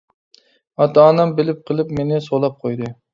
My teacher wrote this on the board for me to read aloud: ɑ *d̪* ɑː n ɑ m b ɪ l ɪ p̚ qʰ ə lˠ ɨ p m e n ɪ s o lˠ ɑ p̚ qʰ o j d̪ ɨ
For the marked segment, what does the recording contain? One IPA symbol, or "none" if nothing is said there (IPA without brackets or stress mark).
t̪